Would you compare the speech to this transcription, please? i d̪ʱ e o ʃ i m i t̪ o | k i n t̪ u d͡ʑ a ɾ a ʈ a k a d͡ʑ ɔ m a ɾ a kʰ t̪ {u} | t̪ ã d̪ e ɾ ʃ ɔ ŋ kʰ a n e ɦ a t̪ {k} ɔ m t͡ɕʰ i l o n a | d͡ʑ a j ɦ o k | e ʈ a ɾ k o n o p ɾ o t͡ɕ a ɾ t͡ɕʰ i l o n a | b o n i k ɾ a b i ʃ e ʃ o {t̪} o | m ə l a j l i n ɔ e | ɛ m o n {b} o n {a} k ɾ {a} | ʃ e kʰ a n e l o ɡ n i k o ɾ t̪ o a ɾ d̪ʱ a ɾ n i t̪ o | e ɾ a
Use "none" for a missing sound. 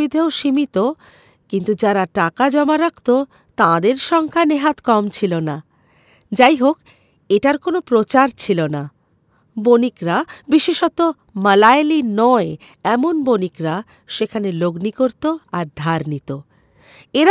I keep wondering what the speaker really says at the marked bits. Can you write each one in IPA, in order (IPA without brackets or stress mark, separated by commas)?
o, k, t̪, b, i, a